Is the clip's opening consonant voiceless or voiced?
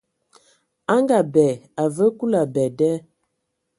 voiced